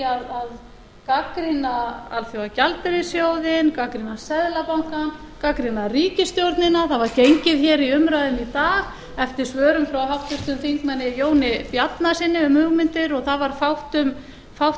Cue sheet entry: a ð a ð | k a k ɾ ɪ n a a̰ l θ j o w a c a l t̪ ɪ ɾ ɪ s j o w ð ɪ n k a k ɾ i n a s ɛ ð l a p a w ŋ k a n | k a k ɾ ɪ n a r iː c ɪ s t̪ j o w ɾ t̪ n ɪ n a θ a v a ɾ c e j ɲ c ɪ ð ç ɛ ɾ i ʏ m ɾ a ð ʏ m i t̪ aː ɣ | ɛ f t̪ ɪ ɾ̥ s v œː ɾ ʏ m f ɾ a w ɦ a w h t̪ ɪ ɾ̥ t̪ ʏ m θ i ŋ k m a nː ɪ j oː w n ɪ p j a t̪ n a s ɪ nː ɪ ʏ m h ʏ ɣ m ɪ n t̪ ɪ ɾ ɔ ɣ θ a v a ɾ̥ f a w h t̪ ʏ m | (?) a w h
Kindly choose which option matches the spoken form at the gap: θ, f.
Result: f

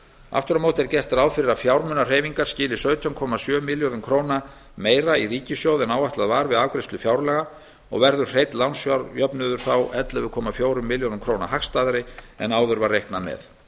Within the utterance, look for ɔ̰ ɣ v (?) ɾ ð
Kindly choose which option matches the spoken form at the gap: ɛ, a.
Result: ɛ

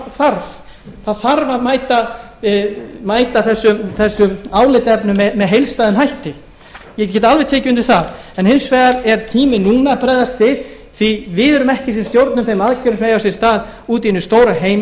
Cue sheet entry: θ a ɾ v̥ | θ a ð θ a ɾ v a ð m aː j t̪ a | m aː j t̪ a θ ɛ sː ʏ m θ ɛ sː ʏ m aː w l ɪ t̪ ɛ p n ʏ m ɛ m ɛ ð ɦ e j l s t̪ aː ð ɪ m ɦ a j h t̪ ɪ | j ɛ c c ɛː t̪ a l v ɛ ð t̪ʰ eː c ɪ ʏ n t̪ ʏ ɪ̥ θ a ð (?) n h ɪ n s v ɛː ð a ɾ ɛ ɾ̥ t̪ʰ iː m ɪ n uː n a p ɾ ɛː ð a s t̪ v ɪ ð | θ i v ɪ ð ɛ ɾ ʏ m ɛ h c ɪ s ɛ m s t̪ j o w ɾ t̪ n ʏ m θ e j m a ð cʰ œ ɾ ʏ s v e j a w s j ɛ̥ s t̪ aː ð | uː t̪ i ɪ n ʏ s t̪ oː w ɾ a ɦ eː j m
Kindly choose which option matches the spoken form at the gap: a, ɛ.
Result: ɛ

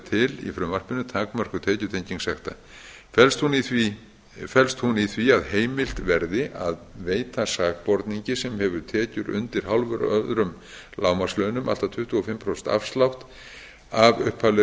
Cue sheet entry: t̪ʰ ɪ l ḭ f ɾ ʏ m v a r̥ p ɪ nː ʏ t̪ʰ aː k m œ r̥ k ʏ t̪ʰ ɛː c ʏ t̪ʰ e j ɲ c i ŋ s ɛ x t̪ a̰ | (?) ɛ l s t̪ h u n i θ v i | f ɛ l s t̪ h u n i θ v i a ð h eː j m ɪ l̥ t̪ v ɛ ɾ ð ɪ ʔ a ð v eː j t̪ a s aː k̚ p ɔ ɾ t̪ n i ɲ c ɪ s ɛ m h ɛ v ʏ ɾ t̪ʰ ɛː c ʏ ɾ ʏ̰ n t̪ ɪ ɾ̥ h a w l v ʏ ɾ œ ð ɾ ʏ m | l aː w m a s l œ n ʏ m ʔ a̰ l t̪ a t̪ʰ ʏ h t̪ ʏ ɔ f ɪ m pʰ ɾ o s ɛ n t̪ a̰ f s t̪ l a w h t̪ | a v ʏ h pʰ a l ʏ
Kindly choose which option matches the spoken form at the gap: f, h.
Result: f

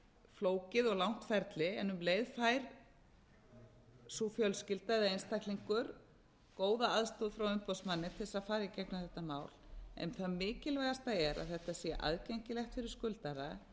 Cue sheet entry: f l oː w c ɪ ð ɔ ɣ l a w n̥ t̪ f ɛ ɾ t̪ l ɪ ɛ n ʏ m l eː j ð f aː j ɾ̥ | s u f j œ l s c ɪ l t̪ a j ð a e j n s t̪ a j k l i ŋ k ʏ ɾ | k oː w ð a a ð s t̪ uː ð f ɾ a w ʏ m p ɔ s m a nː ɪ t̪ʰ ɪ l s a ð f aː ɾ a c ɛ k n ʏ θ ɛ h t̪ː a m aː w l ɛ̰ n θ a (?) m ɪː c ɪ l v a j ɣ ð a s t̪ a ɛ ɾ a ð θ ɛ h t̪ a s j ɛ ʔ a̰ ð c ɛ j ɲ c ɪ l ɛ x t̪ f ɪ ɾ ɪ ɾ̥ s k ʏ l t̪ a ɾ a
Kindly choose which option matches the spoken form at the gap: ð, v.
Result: ð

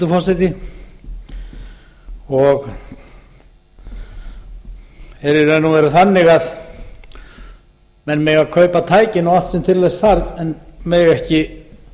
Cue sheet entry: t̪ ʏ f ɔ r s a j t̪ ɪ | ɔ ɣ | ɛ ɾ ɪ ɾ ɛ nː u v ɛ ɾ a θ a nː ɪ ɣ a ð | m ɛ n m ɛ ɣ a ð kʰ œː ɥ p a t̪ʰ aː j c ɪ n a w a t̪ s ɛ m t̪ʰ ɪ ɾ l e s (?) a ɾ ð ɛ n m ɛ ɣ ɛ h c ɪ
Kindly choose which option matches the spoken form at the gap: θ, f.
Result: θ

